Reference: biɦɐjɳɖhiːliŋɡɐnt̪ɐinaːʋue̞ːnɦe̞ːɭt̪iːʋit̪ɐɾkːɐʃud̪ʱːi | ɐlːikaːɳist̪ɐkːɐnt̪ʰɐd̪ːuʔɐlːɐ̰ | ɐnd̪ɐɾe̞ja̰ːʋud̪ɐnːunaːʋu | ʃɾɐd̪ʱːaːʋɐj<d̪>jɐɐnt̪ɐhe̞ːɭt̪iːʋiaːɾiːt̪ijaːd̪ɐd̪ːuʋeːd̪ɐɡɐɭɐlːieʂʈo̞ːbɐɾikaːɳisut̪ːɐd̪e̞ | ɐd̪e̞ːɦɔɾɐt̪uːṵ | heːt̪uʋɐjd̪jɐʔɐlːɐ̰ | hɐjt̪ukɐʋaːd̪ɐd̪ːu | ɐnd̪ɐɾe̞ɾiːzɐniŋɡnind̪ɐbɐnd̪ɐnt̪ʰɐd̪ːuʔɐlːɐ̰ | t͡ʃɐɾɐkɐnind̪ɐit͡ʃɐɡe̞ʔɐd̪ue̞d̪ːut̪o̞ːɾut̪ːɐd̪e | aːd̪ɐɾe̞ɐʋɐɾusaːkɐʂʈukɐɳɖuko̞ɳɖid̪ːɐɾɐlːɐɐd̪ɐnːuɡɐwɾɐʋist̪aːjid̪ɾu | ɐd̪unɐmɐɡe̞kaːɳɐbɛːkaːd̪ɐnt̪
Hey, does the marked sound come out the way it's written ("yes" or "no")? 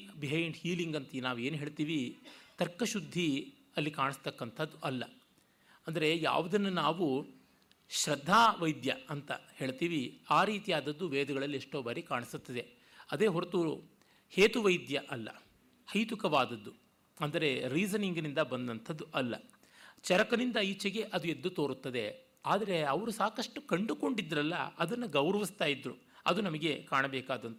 yes